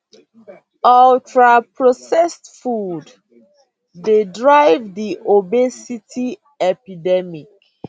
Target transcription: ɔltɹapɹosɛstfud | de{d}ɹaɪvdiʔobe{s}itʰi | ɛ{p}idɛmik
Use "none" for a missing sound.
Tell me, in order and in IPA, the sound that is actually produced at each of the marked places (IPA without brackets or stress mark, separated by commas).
d, s, p